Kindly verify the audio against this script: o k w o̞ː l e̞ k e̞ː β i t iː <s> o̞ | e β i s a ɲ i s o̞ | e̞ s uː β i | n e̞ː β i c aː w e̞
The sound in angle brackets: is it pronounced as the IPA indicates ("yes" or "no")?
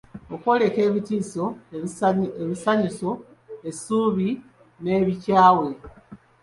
yes